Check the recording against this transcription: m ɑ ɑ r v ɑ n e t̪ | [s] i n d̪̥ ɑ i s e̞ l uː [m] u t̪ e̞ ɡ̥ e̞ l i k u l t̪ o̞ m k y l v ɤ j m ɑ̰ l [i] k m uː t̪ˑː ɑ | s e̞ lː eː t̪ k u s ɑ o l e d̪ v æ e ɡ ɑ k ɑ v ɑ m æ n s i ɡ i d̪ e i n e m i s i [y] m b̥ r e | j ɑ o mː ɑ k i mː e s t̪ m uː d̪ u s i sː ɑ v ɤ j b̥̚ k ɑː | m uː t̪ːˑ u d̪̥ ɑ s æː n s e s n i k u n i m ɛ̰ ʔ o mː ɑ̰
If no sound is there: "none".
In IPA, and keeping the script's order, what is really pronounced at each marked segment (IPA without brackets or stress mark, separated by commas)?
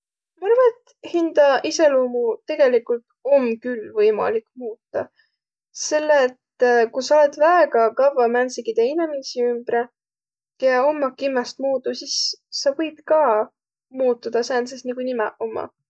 h, m, i, y